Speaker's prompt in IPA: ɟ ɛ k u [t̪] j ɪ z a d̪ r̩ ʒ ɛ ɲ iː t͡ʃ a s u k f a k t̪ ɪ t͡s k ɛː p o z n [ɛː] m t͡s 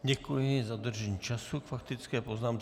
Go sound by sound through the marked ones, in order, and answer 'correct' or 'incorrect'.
incorrect: none, incorrect: aː

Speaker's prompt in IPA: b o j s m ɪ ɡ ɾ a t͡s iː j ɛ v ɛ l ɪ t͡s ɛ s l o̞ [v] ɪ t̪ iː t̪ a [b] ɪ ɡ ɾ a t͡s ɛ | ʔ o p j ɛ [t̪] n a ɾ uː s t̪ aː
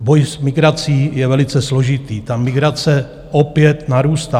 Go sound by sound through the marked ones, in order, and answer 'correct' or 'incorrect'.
incorrect: ʒ, incorrect: m, correct

